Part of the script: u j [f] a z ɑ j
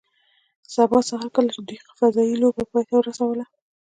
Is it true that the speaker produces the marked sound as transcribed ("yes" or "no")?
yes